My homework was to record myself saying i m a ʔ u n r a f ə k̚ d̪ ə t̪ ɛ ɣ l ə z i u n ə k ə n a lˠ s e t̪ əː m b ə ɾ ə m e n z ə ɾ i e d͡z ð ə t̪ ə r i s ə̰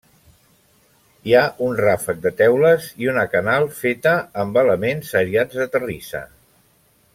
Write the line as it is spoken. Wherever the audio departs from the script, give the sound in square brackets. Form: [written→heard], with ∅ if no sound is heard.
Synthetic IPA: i [m→∅] a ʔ u n r a f ə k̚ d̪ ə t̪ ɛ [ɣ→w] l ə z i u n ə k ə n a lˠ [s→f] e t̪ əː m b ə [ɾ→l] ə m e n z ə ɾ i [e→a] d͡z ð ə t̪ ə r i s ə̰